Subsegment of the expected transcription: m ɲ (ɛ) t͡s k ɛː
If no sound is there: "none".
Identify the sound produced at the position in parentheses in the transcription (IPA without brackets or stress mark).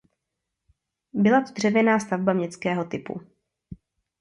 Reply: ɛ